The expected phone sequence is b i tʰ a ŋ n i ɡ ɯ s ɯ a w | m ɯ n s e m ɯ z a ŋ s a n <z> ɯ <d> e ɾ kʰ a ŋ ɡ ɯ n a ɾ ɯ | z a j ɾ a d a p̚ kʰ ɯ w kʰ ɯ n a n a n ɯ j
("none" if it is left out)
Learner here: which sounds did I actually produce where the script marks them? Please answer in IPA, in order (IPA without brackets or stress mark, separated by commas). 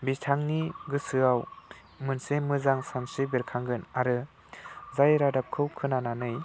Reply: s, b